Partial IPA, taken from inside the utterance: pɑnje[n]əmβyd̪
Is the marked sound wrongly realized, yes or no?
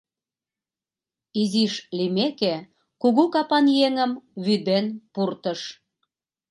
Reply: yes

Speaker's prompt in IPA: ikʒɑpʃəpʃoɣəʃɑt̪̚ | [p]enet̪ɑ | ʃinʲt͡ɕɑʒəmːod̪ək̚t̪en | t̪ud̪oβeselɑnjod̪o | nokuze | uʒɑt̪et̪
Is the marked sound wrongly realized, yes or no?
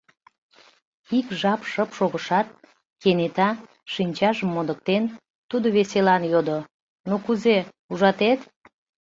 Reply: yes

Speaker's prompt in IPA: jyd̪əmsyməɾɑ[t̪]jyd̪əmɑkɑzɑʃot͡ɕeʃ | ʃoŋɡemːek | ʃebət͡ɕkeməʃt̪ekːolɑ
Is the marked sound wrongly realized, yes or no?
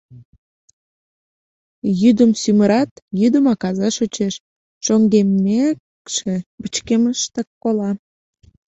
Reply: no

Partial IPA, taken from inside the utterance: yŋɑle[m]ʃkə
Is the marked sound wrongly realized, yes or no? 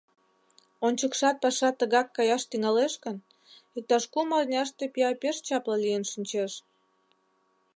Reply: yes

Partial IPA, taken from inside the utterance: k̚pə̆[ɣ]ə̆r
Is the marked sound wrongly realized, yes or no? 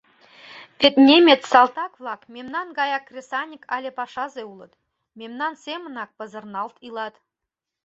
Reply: yes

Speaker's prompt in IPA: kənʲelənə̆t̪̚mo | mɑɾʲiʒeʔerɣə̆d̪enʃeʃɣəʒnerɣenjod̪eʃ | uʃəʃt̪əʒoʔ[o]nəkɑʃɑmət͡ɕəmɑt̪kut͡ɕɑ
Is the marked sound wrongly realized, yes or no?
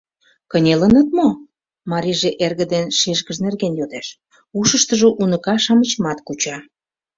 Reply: yes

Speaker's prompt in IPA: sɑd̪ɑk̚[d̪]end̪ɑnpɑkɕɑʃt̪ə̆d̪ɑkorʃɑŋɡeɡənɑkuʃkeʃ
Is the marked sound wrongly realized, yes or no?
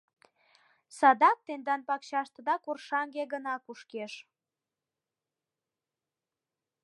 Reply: yes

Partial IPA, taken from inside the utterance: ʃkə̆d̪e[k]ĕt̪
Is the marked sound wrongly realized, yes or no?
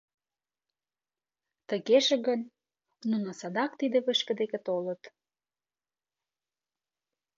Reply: no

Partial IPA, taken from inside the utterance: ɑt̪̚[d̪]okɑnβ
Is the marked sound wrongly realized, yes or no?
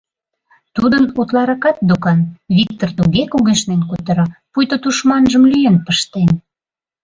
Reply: no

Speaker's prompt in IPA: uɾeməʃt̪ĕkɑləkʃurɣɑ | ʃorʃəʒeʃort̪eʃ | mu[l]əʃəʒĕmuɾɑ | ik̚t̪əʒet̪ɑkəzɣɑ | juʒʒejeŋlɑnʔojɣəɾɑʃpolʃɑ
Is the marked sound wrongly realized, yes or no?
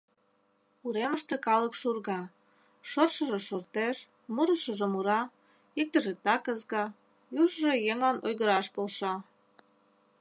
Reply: yes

